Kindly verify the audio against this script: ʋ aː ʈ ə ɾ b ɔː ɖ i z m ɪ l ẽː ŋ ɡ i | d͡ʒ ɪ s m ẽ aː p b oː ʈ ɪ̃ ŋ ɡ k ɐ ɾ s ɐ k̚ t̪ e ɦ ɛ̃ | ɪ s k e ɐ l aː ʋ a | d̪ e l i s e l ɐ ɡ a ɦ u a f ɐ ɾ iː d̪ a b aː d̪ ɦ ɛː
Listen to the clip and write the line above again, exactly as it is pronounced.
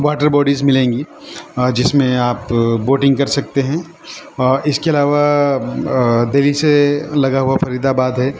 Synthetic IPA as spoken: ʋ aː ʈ ə ɾ b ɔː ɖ i z m ɪ l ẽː ŋ ɡ i | d͡ʒ ɪ s m ẽ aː p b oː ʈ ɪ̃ ŋ ɡ k ɐ ɾ s ɐ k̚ t̪ e ɦ ɛ̃ | ɪ s k e ɐ l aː ʋ a | d̪ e l i s e l ɐ ɡ a ɦ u a f ɐ ɾ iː d̪ a b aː d̪ ɦ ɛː

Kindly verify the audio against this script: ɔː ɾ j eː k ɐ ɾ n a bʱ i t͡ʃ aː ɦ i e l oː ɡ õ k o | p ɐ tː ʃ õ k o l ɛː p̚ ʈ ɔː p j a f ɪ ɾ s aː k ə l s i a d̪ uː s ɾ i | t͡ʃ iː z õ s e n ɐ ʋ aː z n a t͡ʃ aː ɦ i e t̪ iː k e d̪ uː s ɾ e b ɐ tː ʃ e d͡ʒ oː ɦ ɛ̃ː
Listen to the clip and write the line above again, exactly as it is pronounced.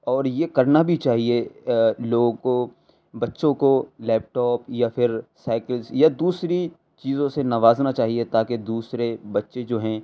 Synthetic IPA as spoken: ɔː ɾ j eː k ɐ ɾ n a bʱ i t͡ʃ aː ɦ i e l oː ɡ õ k o | b ɐ tː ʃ õ k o l ɛː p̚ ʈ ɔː p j a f ɪ ɾ s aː k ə l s j a d̪ uː s ɾ i | t͡ʃ iː z õ s e n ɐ ʋ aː z n a t͡ʃ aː ɦ i e t̪ aː k e d̪ uː s ɾ e b ɐ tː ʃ e d͡ʒ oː ɦ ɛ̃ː

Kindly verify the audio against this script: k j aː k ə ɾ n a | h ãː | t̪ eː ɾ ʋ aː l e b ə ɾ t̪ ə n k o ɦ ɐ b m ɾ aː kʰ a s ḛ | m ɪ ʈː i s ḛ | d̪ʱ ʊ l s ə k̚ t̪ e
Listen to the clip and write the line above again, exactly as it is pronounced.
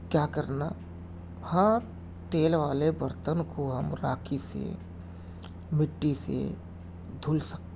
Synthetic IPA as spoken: k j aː k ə ɾ n a | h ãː | t̪ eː l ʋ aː l e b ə ɾ t̪ ə n k o ɦ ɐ m ɾ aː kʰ i s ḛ | m ɪ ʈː i s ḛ | d̪ʱ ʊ l s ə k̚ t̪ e

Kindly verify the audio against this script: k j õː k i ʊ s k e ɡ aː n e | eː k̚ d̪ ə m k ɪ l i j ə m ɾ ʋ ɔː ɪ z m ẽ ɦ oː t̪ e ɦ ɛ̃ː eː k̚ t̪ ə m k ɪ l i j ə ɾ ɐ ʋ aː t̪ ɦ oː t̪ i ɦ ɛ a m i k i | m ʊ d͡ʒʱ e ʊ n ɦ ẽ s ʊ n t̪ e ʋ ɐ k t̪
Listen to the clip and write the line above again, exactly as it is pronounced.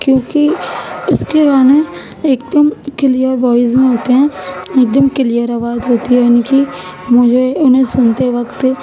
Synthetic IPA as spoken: k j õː k i ʊ s k e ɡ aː n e | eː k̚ d̪ ə m k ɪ l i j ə ɾ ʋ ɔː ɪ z m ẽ ɦ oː t̪ e ɦ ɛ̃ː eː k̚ d̪ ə m k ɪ l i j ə ɾ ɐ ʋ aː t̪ ɦ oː t̪ i ɦ ɛ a n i k i | m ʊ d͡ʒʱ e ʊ n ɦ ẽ s ʊ n t̪ e ʋ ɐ k t̪

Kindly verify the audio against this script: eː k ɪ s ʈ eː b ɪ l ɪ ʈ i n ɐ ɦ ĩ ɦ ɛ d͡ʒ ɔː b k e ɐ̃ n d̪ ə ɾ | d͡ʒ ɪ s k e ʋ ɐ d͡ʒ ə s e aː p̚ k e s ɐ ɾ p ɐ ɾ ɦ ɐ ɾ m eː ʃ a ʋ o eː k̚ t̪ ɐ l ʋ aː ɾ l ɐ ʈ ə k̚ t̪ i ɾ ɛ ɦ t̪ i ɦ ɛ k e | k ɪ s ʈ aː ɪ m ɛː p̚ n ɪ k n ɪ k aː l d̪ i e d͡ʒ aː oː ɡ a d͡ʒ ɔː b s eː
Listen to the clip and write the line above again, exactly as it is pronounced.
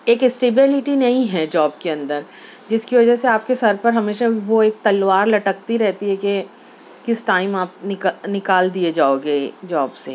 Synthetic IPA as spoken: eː k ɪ s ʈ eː b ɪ l ɪ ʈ i n ɐ ɦ ĩ ɦ ɛ d͡ʒ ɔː b k e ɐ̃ n d̪ ə ɾ | d͡ʒ ɪ s k i ʋ ɐ d͡ʒ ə s e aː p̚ k e s ɐ ɾ p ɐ ɾ ɦ ɐ m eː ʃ a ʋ o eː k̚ t̪ ɐ l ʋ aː ɾ l ɐ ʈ ə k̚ t̪ i ɾ ɛ ɦ t̪ i ɦ ɛ k e | k ɪ s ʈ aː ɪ m aː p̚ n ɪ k n ɪ k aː l d̪ i e d͡ʒ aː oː ɡ e d͡ʒ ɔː b s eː

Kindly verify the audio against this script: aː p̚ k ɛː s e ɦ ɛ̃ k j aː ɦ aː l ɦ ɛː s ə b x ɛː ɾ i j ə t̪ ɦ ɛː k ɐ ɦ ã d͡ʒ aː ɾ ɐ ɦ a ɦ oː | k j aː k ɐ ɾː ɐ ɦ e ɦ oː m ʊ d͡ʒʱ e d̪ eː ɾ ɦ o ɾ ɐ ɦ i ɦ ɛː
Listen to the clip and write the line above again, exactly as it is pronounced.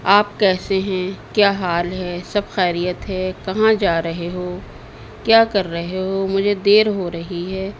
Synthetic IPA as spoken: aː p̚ k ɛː s e ɦ ɛ̃ k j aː ɦ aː l ɦ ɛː s ɐ b x ɛː ɾ i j ə t̪ ɦ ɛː k ɐ ɦ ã d͡ʒ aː ɾ ɐ ɦ e ɦ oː | k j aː k ɐ ɾː ɐ ɦ e ɦ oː m ʊ d͡ʒʱ e d̪ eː ɾ ɦ o ɾ ɐ ɦ i ɦ ɛː

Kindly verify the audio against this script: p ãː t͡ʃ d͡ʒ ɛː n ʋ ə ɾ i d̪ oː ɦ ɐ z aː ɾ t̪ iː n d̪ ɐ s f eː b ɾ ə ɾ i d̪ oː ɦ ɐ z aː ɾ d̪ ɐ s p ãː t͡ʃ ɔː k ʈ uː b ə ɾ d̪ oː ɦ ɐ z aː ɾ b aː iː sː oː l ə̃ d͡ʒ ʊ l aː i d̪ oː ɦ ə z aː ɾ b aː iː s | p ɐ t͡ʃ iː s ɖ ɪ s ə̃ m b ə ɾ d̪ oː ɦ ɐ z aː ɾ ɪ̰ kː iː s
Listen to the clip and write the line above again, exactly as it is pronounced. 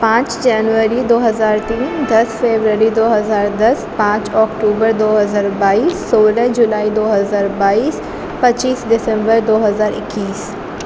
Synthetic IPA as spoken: p ãː t͡ʃ d͡ʒ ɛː n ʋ ə ɾ i d̪ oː ɦ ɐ z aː ɾ t̪ iː n d̪ ɐ s f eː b ɾ ə ɾ i d̪ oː ɦ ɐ z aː ɾ d̪ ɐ s p ãː t͡ʃ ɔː k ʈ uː b ə ɾ d̪ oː ɦ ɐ z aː ɾ b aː iː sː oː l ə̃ d͡ʒ ʊ l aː i d̪ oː ɦ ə z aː ɾ b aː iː s | p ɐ t͡ʃ iː s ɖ ɪ s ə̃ m b ə ɾ d̪ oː ɦ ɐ z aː ɾ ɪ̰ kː iː s

